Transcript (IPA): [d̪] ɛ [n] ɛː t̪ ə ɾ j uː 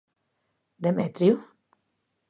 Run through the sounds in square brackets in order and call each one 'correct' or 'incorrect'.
correct, incorrect: m

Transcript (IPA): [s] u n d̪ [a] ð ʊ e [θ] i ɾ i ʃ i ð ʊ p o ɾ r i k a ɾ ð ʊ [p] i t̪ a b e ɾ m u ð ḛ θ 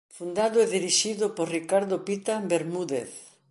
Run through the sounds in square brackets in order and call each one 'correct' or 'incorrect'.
incorrect: f, correct, incorrect: ð, correct

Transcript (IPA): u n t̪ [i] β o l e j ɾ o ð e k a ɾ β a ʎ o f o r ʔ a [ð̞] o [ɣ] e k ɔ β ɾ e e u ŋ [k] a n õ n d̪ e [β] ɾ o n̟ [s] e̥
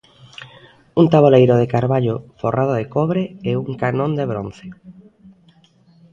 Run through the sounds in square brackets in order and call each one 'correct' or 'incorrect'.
incorrect: a, correct, incorrect: ð, correct, correct, incorrect: θ

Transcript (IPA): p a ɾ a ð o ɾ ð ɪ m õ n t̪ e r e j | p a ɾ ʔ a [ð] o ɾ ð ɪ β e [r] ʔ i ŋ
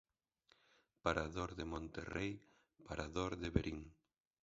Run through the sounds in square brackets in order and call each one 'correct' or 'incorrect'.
correct, incorrect: ɾ

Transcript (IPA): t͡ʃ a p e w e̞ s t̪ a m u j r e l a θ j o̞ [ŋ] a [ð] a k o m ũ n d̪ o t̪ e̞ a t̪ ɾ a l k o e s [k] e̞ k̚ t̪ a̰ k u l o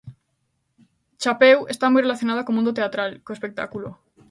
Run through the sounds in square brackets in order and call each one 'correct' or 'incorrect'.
incorrect: n, correct, incorrect: p

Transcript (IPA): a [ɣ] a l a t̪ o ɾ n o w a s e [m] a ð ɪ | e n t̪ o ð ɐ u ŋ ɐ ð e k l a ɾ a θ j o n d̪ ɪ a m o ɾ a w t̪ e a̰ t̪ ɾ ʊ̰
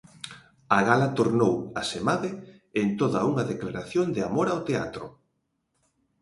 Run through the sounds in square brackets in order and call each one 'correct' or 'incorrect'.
correct, correct

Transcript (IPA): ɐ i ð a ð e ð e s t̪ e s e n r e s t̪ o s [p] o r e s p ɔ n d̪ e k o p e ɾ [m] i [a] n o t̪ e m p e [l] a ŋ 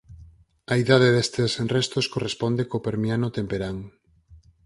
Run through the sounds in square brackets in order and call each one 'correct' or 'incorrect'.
incorrect: k, correct, correct, incorrect: ɾ

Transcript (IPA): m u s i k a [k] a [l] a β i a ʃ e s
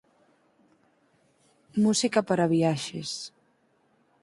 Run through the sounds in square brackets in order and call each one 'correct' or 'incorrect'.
incorrect: p, incorrect: ɾ

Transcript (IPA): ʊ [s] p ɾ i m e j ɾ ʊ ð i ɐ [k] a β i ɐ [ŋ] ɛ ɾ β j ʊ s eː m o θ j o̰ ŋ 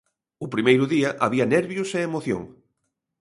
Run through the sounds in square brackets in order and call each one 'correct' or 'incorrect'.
incorrect: none, incorrect: ʔ, incorrect: n

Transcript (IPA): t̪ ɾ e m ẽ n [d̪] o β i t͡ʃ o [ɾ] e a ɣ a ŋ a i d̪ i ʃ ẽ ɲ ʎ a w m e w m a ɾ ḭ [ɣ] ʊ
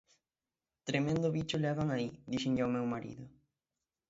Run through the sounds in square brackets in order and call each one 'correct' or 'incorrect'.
correct, incorrect: l, incorrect: ð

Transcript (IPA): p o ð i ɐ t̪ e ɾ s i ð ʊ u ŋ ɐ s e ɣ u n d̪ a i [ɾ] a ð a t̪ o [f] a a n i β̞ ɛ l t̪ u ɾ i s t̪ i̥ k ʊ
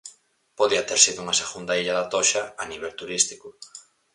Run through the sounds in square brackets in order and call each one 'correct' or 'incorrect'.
incorrect: ʎ, incorrect: ʃ

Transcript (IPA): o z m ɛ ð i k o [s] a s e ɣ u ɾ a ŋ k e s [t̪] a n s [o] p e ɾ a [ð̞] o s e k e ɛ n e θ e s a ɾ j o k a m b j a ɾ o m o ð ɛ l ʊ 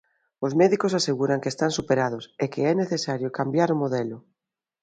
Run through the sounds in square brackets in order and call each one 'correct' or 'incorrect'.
correct, correct, incorrect: u, correct

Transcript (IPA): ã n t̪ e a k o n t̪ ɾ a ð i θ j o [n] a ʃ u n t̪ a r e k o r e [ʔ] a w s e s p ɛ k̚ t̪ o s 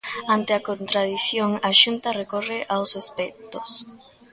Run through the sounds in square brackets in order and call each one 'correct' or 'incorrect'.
incorrect: ŋ, correct

